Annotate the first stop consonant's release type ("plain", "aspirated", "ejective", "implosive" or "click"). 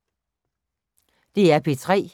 plain